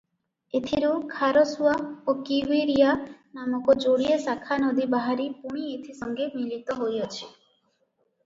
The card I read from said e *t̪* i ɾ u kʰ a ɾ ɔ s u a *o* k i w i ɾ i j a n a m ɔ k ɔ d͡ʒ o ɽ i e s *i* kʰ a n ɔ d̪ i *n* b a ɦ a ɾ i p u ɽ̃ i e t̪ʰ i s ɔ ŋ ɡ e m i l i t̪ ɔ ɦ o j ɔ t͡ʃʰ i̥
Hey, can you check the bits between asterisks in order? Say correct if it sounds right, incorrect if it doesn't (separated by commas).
incorrect, correct, incorrect, incorrect